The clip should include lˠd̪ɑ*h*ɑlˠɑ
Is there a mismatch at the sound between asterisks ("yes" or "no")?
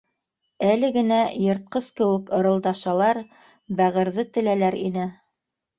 yes